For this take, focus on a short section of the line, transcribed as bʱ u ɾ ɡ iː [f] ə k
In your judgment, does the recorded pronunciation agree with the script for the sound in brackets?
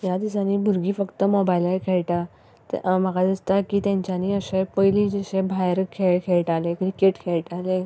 yes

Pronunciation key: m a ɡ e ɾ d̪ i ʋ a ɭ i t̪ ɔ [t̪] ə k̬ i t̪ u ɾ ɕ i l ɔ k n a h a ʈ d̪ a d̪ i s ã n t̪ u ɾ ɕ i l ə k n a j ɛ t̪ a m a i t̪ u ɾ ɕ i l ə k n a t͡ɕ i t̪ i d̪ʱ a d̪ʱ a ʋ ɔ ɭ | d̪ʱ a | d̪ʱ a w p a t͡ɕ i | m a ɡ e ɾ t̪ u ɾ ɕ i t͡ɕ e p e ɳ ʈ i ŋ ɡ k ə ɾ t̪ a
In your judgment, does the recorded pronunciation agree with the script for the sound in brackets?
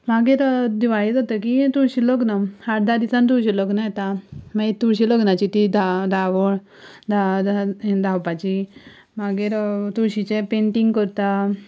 yes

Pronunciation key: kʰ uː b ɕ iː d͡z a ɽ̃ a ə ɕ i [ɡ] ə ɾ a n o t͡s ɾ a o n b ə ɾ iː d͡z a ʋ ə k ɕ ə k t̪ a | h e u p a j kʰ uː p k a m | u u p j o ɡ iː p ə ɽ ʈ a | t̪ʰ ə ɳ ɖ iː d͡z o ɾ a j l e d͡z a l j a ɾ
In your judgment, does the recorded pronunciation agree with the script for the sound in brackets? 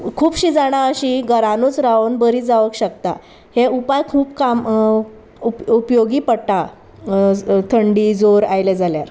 yes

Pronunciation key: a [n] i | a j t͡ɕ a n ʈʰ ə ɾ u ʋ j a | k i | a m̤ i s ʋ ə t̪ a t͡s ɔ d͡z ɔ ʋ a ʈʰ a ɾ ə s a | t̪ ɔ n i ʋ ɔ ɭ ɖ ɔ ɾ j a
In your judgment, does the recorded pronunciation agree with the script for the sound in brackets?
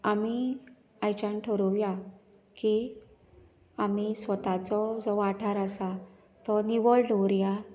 no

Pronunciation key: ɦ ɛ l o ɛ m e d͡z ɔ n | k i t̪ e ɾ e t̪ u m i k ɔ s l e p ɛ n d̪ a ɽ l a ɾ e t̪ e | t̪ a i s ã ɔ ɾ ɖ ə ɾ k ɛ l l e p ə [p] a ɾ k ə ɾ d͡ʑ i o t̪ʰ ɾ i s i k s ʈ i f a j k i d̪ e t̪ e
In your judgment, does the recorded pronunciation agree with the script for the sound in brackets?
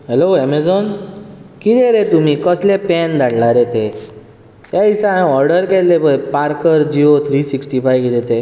yes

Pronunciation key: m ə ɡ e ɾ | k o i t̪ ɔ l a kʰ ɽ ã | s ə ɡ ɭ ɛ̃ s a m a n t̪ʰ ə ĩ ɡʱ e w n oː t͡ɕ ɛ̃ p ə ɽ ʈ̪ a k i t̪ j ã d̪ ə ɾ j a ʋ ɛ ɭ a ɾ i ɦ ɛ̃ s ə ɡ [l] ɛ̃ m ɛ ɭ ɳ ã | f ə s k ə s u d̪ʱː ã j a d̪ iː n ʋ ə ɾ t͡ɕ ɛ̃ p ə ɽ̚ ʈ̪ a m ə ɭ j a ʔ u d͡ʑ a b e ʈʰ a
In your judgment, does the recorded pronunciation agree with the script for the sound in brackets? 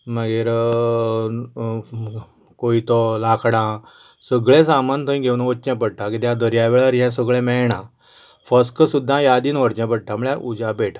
no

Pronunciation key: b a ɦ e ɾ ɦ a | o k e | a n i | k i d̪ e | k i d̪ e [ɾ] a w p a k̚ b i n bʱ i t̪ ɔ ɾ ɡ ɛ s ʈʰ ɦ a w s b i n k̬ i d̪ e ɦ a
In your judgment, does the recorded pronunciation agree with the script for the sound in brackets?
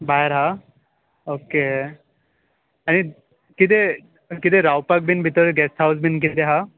yes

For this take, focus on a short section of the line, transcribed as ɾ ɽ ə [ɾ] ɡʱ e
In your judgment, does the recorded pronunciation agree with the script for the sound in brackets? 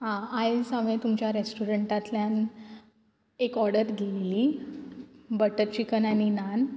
yes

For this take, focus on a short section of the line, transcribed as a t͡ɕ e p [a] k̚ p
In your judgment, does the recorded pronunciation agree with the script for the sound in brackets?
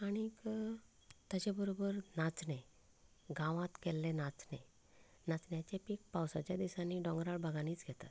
no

